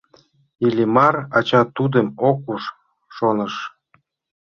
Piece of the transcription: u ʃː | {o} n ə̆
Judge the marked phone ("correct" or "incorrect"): correct